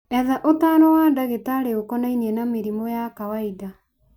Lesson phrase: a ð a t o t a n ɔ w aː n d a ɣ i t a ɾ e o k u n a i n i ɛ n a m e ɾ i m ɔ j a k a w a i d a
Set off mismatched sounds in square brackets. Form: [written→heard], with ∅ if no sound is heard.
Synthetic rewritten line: [a→ɛ] ð a [t→ʔ] o t a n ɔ w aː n d a ɣ [i→e] t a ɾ e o k [u→ɔ] n a i n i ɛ n a m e ɾ i m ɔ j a k a w a i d a

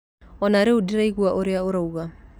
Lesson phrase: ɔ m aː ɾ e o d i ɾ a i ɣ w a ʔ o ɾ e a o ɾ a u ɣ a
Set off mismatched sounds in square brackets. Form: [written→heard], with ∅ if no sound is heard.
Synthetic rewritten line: ɔ [m→n] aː ɾ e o d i ɾ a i ɣ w a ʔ o ɾ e a o ɾ a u ɣ a

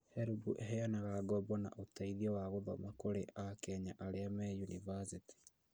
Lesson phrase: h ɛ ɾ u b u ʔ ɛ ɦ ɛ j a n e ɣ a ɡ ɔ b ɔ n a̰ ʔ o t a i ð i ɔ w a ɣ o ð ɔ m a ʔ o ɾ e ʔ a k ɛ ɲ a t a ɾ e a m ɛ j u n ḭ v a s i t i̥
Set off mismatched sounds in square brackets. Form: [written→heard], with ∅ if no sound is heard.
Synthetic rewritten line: h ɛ ɾ u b u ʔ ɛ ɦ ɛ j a n [e→a] ɣ a ɡ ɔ b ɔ n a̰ ʔ o t a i ð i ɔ w a ɣ o ð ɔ m a [ʔ→k] o ɾ e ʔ a k ɛ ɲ a [t→ʔ] a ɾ e a m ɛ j u n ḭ v a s i t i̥

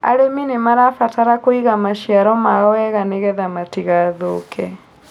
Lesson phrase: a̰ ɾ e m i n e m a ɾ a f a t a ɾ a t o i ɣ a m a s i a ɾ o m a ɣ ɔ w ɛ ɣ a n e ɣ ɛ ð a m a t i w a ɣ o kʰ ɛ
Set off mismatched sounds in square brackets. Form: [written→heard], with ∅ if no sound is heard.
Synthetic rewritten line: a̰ ɾ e m i n e m a ɾ a f a t a ɾ a [t→k] o i ɣ a m a [s→ʃ] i a ɾ [o→ɔ] m a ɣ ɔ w ɛ ɣ a n e ɣ ɛ ð a m a t i [w→ɣ] a [ɣ→ð] o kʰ ɛ

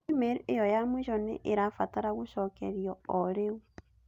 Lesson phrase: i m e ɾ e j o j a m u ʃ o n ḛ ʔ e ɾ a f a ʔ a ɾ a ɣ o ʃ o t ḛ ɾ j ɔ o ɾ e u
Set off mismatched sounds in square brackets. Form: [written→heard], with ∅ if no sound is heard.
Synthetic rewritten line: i m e ɾ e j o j a m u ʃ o n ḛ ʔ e ɾ a f a [ʔ→t] a ɾ a ɣ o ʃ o [t→k] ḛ ɾ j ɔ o ɾ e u

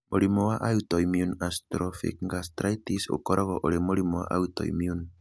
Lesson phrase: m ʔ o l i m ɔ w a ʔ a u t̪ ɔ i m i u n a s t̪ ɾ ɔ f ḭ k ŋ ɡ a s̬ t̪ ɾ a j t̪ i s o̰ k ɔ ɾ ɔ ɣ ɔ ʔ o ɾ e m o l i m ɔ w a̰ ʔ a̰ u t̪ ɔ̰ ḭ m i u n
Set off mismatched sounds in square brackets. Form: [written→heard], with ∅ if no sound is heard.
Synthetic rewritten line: m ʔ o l i m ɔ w a ʔ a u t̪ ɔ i m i u n a s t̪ ɾ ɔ f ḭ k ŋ ɡ a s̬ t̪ ɾ a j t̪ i s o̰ k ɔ ɾ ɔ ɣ ɔ ʔ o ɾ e m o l i m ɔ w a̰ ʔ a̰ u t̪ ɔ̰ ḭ m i u n

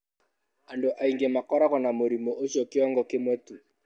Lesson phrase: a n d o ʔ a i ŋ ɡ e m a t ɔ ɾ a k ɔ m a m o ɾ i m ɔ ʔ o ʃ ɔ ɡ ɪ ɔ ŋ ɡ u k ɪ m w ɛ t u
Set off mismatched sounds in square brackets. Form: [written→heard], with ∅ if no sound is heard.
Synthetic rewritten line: a n d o ʔ a i ŋ ɡ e m a [t→k] ɔ ɾ a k ɔ [m→n] a m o ɾ i m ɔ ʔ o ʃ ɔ [ɡ→k] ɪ ɔ ŋ ɡ [u→ɔ] k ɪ m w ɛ t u

